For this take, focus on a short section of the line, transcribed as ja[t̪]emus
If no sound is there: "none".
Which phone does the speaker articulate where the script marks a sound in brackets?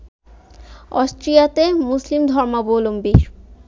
t̪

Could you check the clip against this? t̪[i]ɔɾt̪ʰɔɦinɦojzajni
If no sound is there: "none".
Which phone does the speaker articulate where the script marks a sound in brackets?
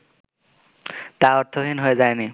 a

